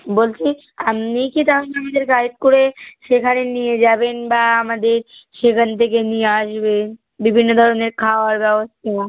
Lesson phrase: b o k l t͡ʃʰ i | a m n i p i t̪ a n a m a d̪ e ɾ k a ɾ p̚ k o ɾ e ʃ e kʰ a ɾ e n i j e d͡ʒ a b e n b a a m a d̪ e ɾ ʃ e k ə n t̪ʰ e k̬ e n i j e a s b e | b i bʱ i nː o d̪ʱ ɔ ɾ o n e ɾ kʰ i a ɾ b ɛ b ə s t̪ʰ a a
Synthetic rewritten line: b o l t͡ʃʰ i | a m n i k i t̪ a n a m a d̪ e ɾ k a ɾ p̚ k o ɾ e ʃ e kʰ a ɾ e n i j e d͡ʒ a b e n b a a m a d̪ e ɾ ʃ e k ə n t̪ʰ e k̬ e n i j e a ʃ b e | b i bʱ i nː o d̪ʱ ɔ ɾ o n e ɾ kʰ a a ɾ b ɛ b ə s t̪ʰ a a